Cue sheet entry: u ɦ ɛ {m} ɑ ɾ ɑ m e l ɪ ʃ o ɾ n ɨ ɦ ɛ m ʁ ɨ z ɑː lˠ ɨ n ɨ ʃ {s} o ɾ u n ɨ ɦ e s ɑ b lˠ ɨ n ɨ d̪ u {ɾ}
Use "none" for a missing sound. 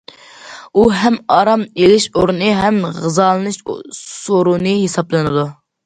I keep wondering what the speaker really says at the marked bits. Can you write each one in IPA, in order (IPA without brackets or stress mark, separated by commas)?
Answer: m, s, none